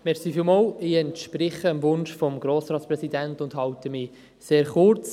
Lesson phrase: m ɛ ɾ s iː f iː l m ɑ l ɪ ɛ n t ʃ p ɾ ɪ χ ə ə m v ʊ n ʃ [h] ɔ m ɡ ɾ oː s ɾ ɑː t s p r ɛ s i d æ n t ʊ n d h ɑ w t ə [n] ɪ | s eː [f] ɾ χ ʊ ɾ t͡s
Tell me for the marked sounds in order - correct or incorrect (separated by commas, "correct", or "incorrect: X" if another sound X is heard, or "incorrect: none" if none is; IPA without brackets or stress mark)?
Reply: incorrect: f, incorrect: m, incorrect: none